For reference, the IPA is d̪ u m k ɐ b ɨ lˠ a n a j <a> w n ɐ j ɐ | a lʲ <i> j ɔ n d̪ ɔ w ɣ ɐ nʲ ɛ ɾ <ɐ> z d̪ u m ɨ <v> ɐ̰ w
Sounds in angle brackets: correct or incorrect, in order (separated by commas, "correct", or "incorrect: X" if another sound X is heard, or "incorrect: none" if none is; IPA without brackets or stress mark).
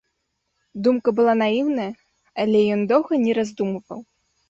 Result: incorrect: i, incorrect: ɛ, incorrect: a, correct